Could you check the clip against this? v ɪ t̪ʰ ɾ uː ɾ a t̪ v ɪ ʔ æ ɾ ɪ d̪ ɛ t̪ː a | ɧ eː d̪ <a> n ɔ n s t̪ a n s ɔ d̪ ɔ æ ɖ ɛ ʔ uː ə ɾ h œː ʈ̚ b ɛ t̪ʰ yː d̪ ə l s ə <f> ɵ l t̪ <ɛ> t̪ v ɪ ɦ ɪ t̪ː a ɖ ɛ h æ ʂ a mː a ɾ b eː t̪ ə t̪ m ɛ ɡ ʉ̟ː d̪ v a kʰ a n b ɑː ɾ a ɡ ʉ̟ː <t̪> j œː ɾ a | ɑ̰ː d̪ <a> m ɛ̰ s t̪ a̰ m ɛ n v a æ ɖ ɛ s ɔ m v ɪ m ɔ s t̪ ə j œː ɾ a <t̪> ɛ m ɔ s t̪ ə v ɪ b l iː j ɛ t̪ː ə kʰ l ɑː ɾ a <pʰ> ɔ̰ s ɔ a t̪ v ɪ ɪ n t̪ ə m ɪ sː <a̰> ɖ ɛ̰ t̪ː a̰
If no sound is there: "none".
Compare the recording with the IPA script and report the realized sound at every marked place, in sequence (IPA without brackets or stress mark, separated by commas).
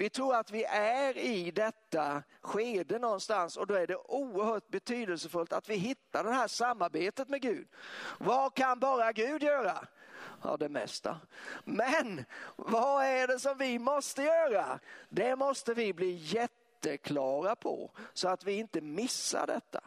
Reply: ə, f, a, d̪, ɛ, d̪, pʰ, a̰